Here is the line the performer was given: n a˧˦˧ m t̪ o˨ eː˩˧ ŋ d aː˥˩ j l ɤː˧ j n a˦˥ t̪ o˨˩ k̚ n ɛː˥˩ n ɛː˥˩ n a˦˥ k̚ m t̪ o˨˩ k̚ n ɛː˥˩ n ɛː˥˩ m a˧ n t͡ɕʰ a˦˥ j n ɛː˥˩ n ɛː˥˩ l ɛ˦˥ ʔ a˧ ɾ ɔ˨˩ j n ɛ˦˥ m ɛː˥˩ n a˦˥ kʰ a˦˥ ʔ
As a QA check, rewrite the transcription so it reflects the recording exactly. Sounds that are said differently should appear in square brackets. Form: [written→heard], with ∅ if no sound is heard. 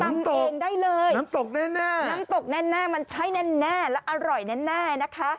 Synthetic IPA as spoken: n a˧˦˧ m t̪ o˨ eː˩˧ ŋ d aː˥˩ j l ɤː˧ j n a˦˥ t̪ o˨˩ k̚ n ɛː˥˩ n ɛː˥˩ n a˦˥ [k̚→∅] m t̪ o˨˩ k̚ n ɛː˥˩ n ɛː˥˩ m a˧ n t͡ɕʰ a˦˥ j n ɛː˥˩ n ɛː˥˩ l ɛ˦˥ ʔ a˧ ɾ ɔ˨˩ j n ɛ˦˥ [m→n] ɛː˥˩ n a˦˥ kʰ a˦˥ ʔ